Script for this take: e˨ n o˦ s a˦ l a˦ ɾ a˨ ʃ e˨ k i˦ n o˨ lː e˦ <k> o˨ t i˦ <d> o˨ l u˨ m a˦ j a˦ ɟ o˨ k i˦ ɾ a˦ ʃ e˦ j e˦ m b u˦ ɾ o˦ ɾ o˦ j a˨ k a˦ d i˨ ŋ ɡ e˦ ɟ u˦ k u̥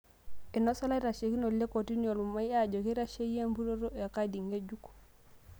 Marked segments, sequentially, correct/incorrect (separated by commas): correct, incorrect